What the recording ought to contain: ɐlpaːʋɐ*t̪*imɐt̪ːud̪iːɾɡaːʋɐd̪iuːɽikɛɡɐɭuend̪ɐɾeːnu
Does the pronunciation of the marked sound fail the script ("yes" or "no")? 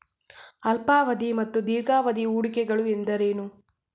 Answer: yes